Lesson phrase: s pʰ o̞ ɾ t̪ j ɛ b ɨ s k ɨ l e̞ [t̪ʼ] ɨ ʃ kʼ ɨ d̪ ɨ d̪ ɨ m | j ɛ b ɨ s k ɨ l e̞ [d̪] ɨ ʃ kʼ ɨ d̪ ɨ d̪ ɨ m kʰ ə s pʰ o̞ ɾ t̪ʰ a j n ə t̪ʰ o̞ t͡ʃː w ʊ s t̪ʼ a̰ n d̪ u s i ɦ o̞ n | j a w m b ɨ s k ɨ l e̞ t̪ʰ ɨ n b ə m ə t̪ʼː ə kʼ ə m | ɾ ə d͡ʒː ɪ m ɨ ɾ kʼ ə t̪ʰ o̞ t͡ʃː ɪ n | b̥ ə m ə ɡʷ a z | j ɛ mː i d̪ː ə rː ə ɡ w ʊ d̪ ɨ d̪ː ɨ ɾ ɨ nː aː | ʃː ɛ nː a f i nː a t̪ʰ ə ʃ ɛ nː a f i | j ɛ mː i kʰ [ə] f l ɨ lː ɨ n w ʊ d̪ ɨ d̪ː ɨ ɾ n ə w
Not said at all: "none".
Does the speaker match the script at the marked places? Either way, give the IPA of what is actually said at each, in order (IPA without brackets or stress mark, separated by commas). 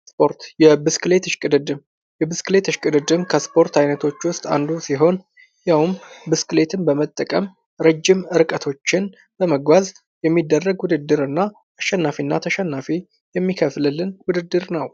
t̪, t̪, ə